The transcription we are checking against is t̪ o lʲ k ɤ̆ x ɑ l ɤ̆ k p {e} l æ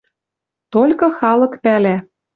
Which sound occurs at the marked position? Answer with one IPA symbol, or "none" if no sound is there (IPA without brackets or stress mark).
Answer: æ